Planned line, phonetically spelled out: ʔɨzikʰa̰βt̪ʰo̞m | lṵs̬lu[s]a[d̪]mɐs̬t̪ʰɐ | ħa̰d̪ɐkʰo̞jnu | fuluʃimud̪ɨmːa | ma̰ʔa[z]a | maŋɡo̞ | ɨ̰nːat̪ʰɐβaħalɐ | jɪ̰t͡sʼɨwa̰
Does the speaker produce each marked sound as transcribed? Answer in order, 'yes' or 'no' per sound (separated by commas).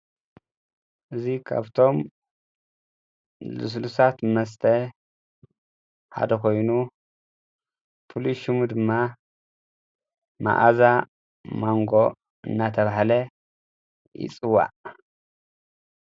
yes, no, yes